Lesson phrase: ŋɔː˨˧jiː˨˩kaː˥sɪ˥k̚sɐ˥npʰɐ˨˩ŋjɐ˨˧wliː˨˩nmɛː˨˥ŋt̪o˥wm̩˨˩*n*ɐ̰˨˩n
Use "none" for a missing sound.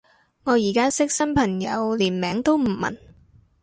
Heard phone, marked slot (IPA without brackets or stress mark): m